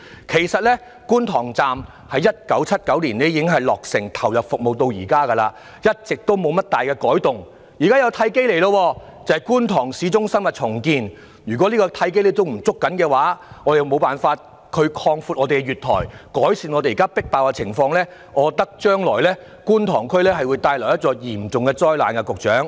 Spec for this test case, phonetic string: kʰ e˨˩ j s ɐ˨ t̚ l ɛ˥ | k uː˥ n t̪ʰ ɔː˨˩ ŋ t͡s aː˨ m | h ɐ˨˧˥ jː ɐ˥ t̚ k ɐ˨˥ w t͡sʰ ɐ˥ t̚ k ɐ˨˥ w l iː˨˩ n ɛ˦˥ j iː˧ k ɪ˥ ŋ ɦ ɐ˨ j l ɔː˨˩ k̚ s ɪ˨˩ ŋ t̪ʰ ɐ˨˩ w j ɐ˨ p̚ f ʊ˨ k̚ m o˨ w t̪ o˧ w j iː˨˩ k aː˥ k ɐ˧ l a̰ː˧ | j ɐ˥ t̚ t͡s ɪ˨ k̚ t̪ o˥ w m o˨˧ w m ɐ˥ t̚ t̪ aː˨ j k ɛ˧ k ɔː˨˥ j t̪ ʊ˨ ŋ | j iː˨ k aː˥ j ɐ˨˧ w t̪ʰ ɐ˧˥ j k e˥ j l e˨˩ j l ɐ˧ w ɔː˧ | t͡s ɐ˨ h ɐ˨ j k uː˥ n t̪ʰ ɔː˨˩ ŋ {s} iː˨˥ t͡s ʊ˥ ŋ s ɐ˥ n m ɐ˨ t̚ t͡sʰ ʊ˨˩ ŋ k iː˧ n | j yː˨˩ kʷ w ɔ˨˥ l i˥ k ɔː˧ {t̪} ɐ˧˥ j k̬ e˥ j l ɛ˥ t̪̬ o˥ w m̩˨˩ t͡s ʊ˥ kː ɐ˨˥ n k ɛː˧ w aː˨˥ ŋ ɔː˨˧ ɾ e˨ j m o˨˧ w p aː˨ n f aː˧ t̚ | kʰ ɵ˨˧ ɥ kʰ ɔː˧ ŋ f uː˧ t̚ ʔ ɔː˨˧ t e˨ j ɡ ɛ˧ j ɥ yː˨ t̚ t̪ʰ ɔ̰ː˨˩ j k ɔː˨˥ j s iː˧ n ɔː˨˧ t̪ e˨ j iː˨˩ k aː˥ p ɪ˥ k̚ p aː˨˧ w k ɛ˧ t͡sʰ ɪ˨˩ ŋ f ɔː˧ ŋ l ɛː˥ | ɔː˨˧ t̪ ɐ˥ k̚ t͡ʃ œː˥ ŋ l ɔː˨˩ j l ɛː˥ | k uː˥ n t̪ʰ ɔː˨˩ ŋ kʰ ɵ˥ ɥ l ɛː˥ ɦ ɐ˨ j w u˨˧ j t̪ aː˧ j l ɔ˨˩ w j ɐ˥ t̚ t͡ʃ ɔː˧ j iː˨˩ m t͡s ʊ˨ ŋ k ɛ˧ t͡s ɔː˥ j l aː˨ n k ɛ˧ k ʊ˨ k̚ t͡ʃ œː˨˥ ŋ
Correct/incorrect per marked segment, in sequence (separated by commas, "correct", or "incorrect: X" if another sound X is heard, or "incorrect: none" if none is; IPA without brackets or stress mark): correct, incorrect: t̪ʰ